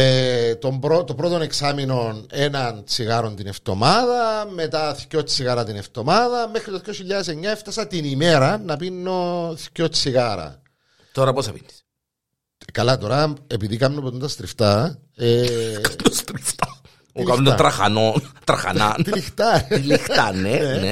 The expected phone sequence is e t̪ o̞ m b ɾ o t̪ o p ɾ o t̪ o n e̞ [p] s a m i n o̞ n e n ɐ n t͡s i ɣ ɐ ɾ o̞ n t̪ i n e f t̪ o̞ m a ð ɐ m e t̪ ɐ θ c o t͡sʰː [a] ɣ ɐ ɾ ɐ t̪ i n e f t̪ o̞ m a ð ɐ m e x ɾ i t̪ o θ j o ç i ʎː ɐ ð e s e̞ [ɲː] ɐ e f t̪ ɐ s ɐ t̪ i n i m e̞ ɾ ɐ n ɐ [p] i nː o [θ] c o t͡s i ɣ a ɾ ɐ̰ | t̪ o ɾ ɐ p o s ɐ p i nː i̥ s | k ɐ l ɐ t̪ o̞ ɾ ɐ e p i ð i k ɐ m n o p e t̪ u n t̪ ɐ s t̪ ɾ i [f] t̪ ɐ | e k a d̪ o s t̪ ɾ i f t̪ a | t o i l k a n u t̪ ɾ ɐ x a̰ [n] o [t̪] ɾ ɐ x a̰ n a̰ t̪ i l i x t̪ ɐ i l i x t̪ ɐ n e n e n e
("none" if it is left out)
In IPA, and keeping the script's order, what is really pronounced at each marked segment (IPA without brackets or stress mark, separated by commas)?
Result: k, i, ɲː, p, θ, f, n, t̪